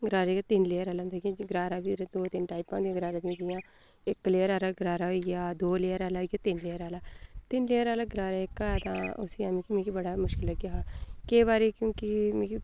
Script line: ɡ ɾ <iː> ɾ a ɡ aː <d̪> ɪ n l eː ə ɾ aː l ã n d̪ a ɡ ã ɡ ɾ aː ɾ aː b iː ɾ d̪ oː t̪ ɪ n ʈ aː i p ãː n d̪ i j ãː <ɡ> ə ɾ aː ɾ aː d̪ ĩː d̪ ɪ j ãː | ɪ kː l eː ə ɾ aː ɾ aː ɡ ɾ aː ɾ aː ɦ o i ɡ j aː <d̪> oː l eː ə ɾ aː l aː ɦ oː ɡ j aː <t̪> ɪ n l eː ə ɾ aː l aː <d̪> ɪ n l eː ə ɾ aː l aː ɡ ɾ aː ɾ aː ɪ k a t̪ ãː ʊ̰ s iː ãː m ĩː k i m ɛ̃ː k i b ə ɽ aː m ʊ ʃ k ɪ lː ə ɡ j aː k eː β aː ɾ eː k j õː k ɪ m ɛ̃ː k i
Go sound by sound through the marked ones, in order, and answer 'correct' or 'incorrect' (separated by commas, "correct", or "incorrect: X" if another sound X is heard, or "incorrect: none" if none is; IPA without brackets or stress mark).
incorrect: aː, incorrect: t̪, correct, correct, correct, incorrect: t̪